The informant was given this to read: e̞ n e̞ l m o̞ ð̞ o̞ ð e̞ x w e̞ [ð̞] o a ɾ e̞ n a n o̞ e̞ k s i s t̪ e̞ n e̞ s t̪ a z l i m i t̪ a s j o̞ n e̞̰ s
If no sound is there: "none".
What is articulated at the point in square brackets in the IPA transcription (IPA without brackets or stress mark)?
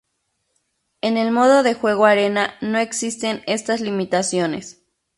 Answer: ɣ̞